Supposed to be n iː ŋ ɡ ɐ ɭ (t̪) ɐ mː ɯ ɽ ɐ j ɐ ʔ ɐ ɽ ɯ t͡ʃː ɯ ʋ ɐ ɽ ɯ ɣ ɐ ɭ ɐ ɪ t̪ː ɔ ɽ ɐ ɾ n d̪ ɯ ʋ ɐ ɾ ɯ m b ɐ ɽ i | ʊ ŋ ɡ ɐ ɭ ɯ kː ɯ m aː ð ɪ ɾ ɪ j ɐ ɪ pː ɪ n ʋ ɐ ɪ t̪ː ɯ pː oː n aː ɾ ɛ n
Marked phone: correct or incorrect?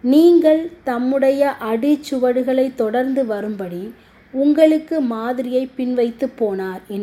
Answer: correct